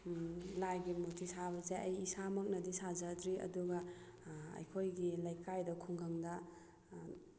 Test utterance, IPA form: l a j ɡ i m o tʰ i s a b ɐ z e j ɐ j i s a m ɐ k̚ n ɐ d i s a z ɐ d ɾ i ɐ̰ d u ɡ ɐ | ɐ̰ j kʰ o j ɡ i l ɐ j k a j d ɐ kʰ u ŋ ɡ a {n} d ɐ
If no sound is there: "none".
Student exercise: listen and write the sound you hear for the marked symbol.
ŋ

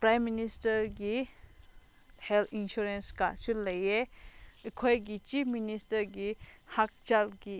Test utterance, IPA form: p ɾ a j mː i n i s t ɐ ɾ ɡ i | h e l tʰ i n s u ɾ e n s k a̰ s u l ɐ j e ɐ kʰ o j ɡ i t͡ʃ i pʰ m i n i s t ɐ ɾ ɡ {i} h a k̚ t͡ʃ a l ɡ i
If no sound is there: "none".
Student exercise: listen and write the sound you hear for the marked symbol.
i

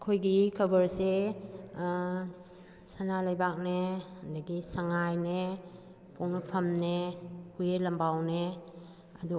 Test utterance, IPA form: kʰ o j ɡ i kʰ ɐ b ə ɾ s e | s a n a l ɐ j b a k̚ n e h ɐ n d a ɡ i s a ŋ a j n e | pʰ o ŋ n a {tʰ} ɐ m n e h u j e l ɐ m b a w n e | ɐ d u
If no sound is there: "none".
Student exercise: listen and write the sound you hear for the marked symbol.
pʰ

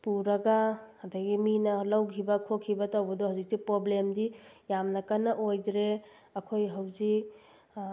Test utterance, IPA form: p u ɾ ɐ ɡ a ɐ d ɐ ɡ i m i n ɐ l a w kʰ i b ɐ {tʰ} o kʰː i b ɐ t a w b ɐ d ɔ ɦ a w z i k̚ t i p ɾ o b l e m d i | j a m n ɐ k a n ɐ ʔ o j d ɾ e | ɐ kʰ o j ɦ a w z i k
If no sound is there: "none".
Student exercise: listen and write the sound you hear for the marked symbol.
kʰ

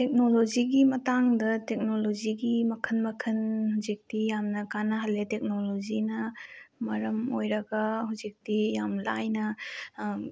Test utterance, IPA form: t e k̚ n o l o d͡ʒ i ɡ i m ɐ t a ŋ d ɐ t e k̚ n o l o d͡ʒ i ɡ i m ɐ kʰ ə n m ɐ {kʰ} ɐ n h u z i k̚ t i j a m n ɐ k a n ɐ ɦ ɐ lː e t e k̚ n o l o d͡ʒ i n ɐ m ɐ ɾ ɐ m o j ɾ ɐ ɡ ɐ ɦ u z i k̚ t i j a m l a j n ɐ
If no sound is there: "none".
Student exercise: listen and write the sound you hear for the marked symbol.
kʰ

